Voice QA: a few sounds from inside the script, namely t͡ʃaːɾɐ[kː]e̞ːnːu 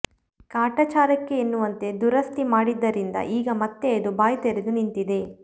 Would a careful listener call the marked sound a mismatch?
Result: no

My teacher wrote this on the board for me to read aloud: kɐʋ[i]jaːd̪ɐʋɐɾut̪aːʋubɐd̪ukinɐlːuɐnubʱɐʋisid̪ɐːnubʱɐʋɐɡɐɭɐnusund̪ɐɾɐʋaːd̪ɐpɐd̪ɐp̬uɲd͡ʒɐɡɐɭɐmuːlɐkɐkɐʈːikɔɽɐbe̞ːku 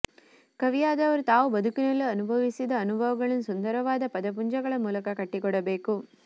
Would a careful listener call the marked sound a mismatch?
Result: no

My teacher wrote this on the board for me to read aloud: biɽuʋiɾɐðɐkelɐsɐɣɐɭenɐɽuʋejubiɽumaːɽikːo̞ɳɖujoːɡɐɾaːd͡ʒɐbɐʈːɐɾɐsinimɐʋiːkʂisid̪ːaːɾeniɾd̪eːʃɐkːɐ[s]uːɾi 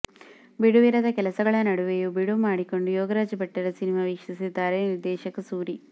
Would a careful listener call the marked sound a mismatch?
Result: no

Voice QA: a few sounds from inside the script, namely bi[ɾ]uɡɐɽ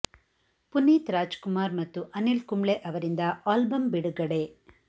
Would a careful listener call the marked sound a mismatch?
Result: yes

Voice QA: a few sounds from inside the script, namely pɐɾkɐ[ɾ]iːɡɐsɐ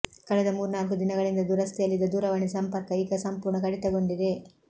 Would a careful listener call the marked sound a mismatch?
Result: yes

